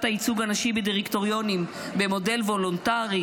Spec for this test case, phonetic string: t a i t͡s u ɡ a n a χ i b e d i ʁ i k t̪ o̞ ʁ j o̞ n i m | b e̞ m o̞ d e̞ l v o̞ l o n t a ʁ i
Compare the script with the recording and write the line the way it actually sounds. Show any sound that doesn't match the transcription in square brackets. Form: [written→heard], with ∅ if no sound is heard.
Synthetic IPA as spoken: t a i t͡s u ɡ a n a [χ→ʃ] i b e d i ʁ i k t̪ o̞ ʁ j o̞ n i m | b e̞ m o̞ d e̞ l v o̞ l o n t a ʁ i